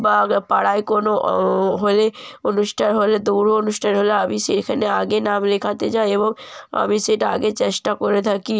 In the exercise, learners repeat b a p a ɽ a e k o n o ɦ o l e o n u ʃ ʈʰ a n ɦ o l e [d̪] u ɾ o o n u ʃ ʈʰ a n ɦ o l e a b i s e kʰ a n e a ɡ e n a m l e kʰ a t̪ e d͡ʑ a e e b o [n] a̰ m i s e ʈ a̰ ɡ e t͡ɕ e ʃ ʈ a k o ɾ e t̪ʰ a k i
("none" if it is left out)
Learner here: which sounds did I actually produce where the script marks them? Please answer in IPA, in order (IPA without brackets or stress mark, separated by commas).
d̪, ŋ